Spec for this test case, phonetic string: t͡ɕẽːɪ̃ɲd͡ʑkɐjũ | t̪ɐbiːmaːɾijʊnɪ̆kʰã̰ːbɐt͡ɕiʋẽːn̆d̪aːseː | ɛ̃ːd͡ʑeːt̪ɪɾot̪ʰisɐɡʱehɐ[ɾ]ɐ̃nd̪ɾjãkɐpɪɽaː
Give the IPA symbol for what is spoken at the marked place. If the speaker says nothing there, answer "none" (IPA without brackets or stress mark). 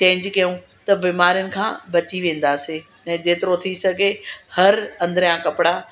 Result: ɾ